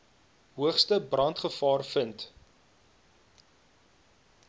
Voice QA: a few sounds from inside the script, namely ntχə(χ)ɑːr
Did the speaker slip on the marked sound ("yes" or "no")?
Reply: yes